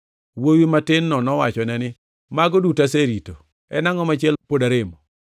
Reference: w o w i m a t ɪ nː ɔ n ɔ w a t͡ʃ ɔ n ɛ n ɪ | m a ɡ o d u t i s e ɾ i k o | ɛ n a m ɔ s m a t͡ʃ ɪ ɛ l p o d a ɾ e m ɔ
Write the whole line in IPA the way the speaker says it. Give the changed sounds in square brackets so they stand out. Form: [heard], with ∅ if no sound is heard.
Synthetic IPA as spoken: w o w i m a t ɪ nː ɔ n ɔ w a t͡ʃ ɔ n ɛ n ɪ | m a ɡ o d u t [a] s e ɾ i [t] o | ɛ n a [ŋ] ɔ [∅] m a t͡ʃ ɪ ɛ l p o d a ɾ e m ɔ